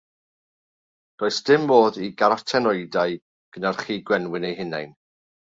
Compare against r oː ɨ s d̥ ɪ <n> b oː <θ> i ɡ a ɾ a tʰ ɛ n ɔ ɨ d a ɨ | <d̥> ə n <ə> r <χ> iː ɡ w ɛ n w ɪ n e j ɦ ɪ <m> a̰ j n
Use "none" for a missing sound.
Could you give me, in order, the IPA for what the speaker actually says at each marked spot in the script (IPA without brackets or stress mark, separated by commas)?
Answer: m, ð, ɡ̥, a, χ, n